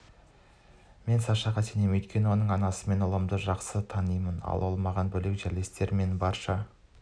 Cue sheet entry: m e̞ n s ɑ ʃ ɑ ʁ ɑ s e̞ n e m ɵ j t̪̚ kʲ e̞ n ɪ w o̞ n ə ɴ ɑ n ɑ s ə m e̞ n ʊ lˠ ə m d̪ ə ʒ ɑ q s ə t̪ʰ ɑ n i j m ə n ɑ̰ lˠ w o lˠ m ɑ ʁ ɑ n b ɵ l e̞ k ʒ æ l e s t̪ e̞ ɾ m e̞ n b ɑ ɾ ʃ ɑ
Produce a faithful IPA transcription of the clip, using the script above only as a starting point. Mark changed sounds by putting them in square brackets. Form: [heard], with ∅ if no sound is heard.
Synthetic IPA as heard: m e̞ n s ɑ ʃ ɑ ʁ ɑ s e̞ n e m ɵ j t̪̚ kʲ e̞ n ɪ w o̞ n ə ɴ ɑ n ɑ s ə m e̞ n ʊ lˠ ə m d̪ ə ʒ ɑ q s ə t̪ʰ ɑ n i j m ə n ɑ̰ lˠ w o lˠ m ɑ ʁ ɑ n b ɵ l e̞ k ʒ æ l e s t̪ e̞ ɾ m e̞ n b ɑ ɾ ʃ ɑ